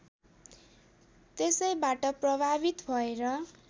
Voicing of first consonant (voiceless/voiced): voiceless